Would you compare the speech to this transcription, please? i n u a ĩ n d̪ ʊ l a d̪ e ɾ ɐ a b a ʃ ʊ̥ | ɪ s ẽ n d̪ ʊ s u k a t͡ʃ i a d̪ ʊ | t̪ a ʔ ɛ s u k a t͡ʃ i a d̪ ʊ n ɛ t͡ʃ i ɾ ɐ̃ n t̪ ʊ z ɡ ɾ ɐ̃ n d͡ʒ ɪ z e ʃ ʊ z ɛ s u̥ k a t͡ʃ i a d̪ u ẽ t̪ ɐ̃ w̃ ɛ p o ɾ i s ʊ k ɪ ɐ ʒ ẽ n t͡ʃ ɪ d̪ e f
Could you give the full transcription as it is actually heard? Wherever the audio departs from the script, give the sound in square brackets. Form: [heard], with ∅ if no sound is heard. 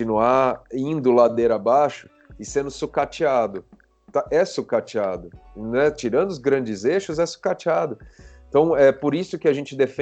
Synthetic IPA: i n u a ĩ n d̪ ʊ l a d̪ e ɾ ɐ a b a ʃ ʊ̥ | ɪ s ẽ n d̪ ʊ s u k a t͡ʃ i a d̪ ʊ | t̪ a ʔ ɛ s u k a t͡ʃ i a d̪ ʊ n ɛ t͡ʃ i ɾ ɐ̃ n [d̪] ʊ z ɡ ɾ ɐ̃ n d͡ʒ ɪ z e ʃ ʊ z ɛ s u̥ k a t͡ʃ i a d̪ [ʊ] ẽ t̪ ɐ̃ w̃ ɛ p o ɾ i s ʊ k ɪ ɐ ʒ ẽ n t͡ʃ ɪ d̪ e f